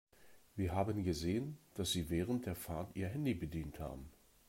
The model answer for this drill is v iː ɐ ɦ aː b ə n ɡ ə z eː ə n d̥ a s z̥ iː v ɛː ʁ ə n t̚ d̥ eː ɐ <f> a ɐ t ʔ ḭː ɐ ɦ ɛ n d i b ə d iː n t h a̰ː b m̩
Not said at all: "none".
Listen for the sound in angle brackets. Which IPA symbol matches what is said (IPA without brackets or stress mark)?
f